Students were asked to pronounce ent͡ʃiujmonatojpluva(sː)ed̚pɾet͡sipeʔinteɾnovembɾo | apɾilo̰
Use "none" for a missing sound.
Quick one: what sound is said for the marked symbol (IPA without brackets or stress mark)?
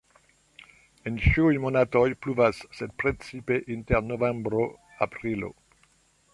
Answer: sː